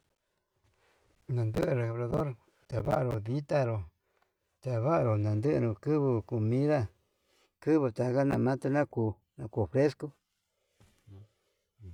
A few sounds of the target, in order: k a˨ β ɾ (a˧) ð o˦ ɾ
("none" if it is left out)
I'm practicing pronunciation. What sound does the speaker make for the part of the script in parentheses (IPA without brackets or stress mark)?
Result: a˧